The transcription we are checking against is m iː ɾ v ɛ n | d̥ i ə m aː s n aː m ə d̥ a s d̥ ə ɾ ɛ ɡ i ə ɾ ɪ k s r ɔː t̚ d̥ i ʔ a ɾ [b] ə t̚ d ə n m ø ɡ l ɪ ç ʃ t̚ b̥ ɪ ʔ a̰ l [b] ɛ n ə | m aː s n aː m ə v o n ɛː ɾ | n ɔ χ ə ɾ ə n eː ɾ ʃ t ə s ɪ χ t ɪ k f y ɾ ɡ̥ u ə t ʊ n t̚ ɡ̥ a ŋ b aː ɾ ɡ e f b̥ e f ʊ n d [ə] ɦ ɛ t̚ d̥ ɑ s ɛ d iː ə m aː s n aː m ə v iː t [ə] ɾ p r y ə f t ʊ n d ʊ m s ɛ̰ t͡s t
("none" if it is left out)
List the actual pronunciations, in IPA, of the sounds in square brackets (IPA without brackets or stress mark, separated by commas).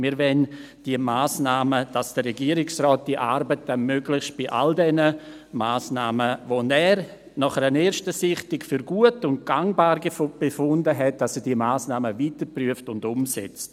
b, d, ə, ə